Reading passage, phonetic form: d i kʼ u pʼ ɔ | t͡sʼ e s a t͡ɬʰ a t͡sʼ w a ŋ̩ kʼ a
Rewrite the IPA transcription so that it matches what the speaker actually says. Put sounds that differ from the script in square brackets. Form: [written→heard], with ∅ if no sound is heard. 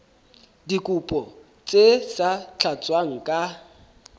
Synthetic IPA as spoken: d i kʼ u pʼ ɔ | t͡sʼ e s a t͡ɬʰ a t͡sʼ w a ŋ̩ kʼ a